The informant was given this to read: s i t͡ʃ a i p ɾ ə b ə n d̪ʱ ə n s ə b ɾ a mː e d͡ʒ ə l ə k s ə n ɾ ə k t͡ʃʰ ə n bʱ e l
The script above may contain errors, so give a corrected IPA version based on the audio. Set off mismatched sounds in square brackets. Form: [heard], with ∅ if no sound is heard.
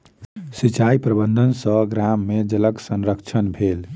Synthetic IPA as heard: s i t͡ʃ a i p ɾ ə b ə n d̪ʱ ə n s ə [ɡ] ɾ a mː e d͡ʒ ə l ə k s ə n ɾ ə k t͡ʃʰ ə n bʱ e l